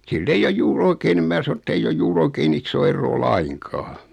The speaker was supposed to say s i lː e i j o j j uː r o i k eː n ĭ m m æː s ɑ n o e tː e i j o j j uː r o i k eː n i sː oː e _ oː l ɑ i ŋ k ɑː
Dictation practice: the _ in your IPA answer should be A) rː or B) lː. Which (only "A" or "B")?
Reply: A